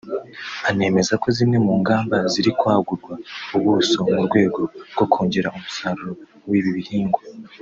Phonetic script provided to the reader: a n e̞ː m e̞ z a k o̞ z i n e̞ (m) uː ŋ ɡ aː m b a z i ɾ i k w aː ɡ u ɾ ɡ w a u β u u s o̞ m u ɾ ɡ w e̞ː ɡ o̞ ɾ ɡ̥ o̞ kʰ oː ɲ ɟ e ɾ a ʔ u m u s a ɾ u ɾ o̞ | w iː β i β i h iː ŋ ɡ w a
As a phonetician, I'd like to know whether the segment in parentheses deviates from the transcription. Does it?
no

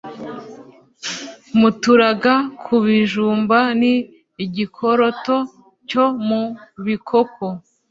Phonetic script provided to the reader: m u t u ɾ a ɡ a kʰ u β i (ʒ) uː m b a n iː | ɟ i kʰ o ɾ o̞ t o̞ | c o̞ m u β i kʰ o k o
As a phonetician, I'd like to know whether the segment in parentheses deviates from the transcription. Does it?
no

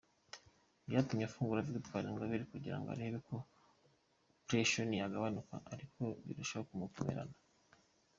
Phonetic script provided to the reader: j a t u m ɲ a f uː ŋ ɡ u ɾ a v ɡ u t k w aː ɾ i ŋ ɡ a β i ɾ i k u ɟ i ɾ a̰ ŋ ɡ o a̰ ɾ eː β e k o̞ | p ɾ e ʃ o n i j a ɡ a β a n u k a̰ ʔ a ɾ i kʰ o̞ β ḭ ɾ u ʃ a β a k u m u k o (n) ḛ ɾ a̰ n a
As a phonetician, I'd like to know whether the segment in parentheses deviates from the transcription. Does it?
yes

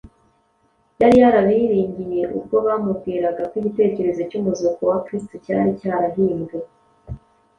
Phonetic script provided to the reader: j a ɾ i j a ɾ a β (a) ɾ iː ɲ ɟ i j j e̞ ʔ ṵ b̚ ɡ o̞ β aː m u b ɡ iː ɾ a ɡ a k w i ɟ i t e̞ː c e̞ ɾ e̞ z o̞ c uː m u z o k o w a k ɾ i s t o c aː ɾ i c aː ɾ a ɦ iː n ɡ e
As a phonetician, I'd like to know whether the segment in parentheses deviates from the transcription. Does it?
yes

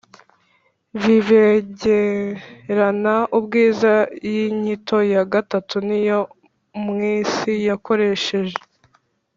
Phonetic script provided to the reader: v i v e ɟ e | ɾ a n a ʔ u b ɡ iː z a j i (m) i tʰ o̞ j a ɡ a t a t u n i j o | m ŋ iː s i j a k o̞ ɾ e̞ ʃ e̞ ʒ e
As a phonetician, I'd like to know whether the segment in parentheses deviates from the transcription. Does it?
yes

